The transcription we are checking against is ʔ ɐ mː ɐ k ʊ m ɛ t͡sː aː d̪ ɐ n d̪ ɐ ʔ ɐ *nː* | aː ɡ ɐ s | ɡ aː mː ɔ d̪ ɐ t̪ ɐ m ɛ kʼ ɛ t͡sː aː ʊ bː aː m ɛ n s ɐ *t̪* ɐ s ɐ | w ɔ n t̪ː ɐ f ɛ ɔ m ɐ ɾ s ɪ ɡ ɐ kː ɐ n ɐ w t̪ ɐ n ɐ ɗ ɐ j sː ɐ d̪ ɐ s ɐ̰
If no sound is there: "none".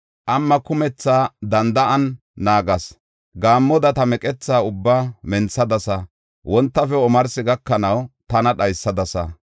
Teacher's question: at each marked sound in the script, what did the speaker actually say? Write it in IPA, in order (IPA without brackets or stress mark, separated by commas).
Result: nː, d̪